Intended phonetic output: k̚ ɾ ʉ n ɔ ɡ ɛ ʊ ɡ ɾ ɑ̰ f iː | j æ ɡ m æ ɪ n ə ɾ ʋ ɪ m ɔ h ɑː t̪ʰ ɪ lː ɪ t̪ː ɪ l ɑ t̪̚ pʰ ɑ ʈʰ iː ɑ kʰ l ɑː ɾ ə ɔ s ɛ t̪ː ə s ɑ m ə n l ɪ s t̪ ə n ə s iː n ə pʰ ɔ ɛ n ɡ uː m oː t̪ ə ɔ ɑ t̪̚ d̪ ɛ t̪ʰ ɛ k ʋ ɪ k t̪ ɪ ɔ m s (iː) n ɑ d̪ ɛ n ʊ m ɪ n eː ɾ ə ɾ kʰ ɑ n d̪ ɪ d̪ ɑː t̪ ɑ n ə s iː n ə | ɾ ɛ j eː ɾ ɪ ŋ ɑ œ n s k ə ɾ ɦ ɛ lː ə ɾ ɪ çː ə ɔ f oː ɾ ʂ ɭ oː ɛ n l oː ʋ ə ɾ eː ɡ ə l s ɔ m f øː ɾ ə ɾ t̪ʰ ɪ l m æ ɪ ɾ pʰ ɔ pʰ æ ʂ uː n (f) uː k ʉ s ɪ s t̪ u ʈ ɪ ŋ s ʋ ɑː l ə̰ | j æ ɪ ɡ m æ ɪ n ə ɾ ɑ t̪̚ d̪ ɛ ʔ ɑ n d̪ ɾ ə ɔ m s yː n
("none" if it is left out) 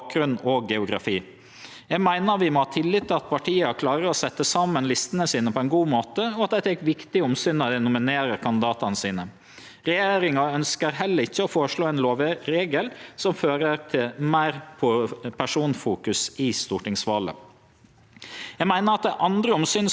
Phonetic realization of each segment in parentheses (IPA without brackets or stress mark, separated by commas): yː, f